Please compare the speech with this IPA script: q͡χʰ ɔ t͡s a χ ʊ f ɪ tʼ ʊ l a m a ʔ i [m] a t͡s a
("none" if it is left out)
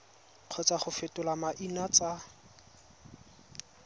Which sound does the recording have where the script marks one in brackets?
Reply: n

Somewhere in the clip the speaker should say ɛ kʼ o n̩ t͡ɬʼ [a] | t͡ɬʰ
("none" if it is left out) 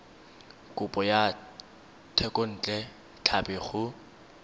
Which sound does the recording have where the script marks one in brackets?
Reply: ɛ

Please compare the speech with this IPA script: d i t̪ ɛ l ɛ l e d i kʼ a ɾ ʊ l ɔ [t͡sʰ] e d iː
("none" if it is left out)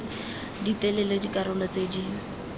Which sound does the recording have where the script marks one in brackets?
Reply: t͡s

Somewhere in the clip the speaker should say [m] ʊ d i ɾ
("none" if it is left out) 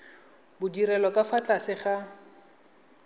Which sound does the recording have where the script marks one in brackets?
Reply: b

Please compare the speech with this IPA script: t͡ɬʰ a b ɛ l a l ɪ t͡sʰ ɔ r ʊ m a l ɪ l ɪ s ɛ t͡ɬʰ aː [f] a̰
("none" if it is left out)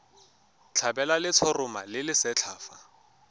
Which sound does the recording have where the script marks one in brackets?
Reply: f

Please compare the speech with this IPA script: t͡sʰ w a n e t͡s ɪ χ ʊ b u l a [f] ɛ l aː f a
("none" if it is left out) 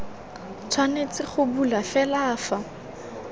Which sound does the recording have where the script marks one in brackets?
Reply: f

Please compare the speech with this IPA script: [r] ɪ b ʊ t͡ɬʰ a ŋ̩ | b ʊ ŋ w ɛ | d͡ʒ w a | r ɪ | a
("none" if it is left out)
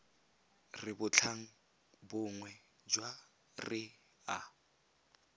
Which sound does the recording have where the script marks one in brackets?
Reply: r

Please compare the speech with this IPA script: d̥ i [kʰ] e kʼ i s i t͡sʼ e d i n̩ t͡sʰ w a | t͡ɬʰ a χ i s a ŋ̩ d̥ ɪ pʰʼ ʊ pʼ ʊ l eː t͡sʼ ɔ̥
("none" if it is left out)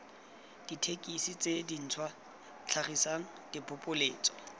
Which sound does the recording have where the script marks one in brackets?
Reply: tʰ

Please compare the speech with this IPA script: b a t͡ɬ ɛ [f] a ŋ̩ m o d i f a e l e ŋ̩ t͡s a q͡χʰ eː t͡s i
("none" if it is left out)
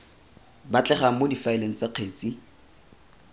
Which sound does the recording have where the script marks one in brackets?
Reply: χ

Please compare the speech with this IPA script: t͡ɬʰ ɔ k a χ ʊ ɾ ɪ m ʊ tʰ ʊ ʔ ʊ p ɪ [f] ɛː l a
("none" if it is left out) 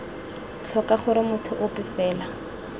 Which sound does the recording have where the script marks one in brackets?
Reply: f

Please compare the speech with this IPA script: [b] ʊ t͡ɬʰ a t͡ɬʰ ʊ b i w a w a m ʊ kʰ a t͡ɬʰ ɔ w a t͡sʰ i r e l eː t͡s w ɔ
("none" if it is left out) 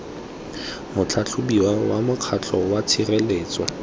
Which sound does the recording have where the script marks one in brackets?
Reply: m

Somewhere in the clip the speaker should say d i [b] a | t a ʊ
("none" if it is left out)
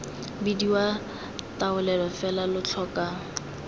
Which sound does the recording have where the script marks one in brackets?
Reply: w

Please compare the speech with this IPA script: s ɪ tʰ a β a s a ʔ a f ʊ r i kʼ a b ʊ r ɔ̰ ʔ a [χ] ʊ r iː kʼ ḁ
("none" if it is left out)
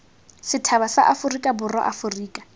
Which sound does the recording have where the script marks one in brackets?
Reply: f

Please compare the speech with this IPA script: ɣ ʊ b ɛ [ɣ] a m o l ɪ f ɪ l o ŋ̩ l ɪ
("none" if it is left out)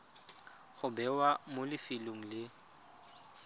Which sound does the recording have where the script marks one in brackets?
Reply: w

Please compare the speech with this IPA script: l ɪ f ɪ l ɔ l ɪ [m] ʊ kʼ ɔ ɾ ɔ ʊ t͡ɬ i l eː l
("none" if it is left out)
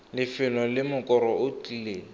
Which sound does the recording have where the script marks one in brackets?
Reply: m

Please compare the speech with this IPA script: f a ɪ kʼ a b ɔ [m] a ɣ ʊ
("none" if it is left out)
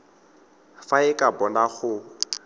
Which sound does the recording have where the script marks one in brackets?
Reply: n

